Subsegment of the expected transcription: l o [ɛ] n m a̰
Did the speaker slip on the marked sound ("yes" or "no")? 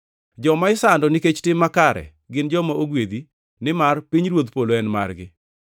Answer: no